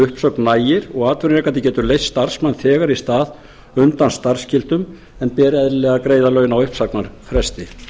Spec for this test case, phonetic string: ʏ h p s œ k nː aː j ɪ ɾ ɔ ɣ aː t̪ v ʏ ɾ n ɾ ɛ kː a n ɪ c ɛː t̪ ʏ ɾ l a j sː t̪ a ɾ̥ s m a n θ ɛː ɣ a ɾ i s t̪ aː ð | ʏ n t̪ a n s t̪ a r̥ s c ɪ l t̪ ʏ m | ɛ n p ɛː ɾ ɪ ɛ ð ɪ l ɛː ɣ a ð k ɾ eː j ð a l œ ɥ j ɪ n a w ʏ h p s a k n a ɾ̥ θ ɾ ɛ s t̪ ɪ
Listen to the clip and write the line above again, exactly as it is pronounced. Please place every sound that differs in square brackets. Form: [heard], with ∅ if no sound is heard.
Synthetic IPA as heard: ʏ h p s œ k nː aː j ɪ ɾ ɔ ɣ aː t̪ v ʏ ɾ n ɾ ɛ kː a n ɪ c ɛː t̪ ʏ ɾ l [e] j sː t̪ a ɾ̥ s m a n θ ɛː ɣ a ɾ i s t̪ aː ð | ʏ n t̪ a n s t̪ a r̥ s c ɪ l t̪ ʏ m | ɛ n p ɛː ɾ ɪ ɛ ð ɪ l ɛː ɣ a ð k ɾ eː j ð a l œ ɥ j ɪ n a w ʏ h p s a k n a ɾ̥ [f] ɾ ɛ s t̪ ɪ